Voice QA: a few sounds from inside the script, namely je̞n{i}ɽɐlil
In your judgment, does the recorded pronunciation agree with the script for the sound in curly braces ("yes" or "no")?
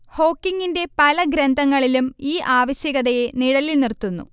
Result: yes